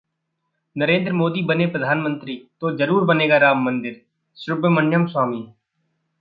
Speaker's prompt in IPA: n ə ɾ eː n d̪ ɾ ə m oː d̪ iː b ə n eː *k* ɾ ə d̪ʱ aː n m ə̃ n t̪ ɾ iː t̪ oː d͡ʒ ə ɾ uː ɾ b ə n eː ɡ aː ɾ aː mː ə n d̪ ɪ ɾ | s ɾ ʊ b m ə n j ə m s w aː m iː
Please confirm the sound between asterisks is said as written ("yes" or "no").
no